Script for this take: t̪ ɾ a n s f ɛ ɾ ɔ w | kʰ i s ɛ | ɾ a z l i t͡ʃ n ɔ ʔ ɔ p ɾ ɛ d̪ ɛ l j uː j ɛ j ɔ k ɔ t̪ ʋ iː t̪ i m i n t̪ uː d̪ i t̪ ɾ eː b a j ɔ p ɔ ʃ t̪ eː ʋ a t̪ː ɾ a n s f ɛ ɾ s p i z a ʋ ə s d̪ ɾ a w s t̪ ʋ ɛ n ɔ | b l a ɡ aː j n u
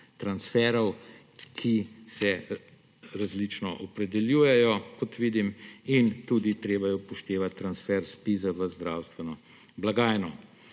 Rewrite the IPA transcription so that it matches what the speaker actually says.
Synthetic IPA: t̪ ɾ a n s f ɛ ɾ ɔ w | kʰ i s ɛ | ɾ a z l i t͡ʃ n ɔ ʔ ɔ p ɾ ɛ d̪ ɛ l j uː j ɛ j ɔ k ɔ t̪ ʋ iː d̪ i m i n t̪ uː d̪ i t̪ ɾ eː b a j ɔ p ɔ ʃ t̪ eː ʋ a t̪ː ɾ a n s f ɛ ɾ s p i z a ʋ ə z d̪ ɾ a w s t̪ ʋ ɛ n ɔ | b l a ɡ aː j n ɔ